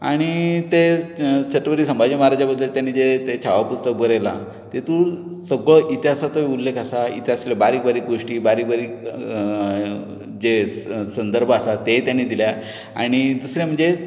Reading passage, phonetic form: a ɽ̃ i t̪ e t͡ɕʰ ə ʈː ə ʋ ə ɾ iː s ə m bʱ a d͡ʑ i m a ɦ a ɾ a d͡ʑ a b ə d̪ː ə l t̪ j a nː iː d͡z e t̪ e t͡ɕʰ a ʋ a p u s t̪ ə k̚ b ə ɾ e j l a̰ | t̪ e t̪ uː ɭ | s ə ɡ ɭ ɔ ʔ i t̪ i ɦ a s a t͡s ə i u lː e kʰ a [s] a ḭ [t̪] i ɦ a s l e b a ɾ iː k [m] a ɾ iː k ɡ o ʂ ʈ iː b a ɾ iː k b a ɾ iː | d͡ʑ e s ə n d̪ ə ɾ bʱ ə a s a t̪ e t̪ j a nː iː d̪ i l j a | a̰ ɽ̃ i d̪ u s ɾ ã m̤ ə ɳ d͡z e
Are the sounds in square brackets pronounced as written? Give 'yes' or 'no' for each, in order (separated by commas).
yes, yes, no